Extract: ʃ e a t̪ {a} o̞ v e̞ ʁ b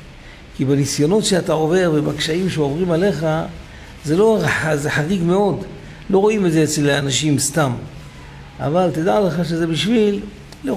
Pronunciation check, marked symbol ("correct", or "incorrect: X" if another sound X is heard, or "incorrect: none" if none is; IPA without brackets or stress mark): correct